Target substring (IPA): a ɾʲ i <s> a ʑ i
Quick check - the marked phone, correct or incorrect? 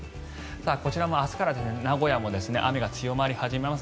incorrect